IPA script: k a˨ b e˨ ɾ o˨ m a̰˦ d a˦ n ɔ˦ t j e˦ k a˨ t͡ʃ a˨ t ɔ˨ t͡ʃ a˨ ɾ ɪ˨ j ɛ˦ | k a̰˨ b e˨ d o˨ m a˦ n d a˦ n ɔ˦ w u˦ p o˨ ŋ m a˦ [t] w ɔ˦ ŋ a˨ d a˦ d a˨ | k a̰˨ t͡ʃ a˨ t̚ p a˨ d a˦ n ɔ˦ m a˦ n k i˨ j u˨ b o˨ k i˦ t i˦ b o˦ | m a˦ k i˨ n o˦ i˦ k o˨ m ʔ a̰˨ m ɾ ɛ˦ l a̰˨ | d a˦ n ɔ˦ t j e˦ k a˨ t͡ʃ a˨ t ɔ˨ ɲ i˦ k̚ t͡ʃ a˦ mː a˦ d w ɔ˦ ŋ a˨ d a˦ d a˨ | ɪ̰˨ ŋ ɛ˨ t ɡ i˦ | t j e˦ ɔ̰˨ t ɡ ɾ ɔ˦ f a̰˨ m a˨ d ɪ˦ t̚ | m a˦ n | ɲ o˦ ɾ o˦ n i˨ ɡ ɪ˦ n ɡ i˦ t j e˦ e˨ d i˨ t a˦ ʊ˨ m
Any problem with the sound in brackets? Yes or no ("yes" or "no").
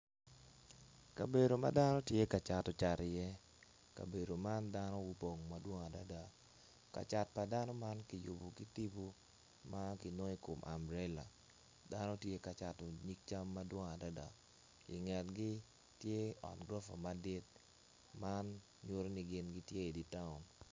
yes